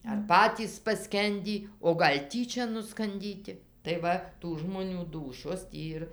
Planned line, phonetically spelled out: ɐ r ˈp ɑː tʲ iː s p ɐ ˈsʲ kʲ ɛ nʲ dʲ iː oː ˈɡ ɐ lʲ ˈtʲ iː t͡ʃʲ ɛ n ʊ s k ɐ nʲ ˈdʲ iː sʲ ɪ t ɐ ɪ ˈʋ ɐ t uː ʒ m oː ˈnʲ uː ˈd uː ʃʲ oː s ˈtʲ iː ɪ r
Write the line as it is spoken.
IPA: ɐ r ˈp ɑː tʲ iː s p ɐ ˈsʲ kʲ ɛ nʲ dʲ iː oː ˈɡ ɐ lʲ ˈtʲ iː t͡ʃʲ ɛ n ʊ s k ɐ nʲ ˈdʲ iː tʲ ɪ t ɐ ɪ ˈʋ ɐ t uː ʒ m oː ˈnʲ uː ˈd uː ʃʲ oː s ˈtʲ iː ɪ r